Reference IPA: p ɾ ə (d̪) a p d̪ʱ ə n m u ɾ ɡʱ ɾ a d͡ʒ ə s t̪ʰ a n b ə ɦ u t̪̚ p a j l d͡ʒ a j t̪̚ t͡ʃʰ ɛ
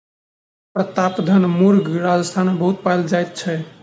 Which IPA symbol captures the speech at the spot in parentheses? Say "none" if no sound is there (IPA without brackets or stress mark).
t̪